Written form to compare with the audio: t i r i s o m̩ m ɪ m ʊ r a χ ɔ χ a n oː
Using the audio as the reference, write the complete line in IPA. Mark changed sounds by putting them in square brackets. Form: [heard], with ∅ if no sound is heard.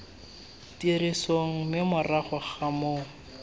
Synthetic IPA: t i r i s o [ŋ̩] m ɪ m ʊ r a χ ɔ χ a [m] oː